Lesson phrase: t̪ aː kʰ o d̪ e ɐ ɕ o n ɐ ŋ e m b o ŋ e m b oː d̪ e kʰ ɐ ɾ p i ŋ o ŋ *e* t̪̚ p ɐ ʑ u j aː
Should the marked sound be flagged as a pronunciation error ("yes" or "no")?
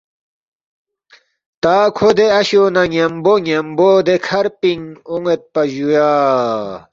no